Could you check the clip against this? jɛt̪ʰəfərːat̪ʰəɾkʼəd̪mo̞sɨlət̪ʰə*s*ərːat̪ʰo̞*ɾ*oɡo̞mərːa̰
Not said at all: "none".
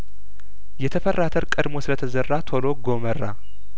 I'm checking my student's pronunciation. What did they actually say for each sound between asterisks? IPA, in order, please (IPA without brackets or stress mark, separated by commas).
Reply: z, l